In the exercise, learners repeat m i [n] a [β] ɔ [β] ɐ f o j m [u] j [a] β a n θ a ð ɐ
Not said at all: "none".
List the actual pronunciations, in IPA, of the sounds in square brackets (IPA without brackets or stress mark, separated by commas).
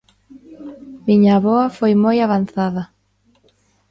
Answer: ɲ, β, none, o, a